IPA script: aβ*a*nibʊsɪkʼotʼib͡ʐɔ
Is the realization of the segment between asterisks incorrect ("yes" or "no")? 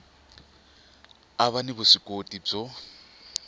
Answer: no